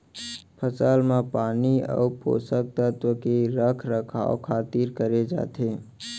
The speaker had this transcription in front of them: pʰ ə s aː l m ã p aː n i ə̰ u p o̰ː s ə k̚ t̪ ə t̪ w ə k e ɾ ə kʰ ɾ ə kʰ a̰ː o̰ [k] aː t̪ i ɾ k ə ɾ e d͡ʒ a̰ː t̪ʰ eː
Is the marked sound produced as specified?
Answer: no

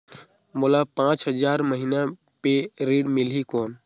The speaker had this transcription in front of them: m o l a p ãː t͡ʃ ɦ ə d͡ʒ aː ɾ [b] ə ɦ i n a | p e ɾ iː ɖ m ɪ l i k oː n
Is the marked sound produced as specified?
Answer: no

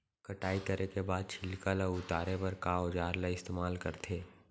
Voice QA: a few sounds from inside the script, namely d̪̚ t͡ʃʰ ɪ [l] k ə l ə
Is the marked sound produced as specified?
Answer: yes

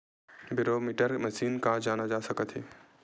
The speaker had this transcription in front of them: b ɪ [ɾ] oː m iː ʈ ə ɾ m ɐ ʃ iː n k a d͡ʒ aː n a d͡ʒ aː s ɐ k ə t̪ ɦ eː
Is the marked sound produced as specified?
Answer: yes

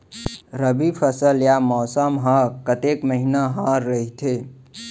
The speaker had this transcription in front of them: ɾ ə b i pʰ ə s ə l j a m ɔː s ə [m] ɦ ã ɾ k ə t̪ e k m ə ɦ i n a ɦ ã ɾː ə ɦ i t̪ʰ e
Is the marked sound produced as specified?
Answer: yes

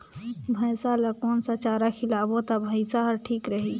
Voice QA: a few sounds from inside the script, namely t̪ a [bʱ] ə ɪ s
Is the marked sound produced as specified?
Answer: yes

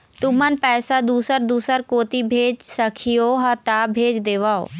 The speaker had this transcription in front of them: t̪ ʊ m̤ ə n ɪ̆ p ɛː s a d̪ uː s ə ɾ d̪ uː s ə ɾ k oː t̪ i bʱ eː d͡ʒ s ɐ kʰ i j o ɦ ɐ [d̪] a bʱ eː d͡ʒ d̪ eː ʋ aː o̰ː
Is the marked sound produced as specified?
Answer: no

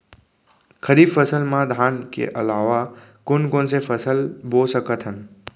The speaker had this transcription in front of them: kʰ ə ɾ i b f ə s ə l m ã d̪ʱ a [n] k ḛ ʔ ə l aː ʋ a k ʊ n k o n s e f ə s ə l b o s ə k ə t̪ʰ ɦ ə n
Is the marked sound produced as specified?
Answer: yes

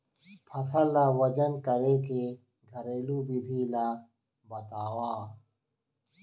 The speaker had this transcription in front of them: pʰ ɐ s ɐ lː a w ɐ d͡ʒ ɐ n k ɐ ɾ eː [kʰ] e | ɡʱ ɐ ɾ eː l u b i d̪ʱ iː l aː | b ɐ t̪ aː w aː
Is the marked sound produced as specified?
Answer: no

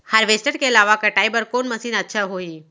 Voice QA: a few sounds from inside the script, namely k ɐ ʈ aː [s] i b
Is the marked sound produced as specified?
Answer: no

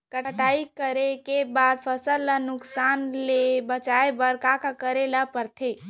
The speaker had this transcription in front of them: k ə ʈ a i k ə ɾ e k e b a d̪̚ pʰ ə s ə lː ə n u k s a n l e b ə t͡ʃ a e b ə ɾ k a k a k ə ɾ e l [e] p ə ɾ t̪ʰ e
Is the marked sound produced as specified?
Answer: no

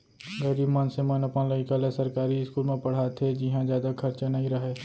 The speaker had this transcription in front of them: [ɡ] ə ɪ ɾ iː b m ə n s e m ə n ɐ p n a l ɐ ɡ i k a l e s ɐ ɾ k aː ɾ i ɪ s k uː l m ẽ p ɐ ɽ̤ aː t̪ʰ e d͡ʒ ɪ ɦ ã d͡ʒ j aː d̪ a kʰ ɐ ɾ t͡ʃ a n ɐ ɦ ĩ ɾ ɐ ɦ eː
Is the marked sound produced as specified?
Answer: yes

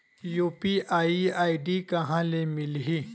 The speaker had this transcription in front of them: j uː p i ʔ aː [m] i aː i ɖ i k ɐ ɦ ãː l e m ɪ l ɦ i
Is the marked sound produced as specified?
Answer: no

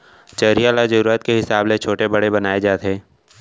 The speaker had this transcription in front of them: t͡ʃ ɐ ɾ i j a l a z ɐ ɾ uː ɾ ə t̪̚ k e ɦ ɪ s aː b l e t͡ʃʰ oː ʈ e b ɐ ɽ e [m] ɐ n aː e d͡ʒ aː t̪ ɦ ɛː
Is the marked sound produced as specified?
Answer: no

